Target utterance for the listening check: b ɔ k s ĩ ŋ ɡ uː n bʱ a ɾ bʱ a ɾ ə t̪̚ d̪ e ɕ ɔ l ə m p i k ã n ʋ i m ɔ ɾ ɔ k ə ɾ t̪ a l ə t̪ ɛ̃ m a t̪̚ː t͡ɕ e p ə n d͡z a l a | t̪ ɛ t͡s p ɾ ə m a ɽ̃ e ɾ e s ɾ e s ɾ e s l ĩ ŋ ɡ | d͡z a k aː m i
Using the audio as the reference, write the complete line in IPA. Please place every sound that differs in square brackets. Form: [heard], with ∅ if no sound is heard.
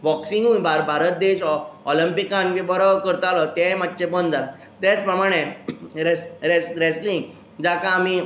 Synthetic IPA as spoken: b ɔ k s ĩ ŋ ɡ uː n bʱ a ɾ bʱ a ɾ ə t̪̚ d̪ e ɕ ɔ l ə m p i k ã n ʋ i [b] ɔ ɾ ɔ k ə ɾ t̪ a l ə t̪ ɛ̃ m a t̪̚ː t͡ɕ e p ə n d͡z a l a | t̪ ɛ t͡s p ɾ ə m a ɽ̃ e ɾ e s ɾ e s ɾ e s l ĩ ŋ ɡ | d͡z a k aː m i